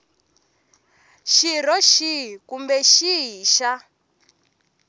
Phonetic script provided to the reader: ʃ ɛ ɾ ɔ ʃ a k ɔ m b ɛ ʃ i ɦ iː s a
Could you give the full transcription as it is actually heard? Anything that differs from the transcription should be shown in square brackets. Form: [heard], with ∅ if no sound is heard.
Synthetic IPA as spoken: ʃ [i] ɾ ɔ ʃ [i] k [u] m b ɛ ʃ i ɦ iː [ʃ] a